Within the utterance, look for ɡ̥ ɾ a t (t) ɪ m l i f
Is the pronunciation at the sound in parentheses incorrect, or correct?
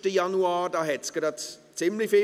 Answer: incorrect